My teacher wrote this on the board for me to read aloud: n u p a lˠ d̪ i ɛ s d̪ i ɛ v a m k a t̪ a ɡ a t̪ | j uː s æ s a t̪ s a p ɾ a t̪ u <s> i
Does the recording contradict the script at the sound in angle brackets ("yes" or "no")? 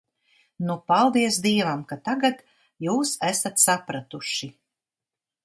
yes